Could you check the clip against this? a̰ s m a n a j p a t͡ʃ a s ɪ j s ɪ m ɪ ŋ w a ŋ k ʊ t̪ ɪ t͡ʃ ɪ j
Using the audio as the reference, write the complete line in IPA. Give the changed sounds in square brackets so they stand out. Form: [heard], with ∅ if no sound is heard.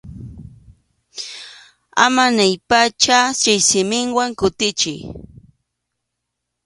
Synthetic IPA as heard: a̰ [∅] m a n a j p a t͡ʃ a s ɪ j s ɪ m ɪ ŋ w a ŋ k ʊ t̪ ɪ t͡ʃ ɪ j